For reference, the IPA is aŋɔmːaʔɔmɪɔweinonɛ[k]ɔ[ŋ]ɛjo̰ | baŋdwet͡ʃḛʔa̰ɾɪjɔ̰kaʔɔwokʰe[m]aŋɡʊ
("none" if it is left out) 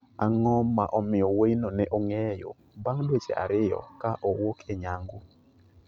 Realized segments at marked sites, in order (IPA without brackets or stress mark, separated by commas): ʔ, ŋ, ɲ